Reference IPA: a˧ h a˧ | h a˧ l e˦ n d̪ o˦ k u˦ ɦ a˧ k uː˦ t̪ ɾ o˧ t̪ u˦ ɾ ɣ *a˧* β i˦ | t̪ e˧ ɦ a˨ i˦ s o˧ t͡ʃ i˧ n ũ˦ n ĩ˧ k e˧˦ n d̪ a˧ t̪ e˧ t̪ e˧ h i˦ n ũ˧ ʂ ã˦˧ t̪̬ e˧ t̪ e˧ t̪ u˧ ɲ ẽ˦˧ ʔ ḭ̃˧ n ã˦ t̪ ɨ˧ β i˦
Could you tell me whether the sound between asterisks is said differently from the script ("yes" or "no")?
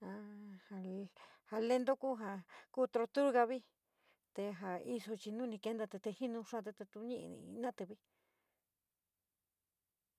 no